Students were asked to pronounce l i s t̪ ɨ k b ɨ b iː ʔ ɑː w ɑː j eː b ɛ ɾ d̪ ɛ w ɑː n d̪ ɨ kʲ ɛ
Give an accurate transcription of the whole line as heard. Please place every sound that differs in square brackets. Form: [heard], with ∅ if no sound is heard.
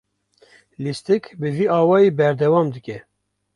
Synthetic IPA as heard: l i s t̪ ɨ k b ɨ [v] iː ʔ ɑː w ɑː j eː b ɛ ɾ d̪ ɛ w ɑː [m] d̪ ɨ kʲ ɛ

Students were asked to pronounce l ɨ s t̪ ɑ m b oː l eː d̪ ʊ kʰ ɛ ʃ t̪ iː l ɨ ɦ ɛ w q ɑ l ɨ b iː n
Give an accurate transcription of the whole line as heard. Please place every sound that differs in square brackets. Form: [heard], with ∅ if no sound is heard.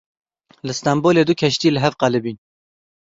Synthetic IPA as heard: l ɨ s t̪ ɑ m b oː l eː d̪ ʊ kʰ ɛ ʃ t̪ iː l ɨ ɦ ɛ [v] q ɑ l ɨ b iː n

